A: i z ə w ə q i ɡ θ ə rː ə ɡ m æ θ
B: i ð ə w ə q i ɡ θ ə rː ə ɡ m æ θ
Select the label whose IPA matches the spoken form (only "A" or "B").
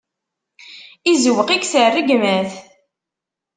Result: A